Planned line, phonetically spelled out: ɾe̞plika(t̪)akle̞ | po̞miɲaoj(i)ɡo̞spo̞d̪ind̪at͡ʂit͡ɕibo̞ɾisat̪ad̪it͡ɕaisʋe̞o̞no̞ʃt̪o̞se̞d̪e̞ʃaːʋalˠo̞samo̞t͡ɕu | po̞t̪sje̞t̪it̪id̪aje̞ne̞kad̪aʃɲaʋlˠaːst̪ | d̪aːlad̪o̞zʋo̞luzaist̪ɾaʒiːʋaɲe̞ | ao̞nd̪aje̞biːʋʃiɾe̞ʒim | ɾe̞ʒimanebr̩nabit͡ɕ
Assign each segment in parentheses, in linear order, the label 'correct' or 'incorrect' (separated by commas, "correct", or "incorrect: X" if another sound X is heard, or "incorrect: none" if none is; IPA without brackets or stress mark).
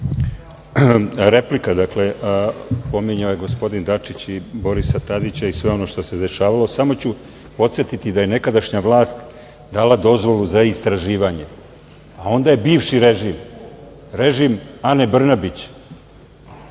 incorrect: d̪, incorrect: e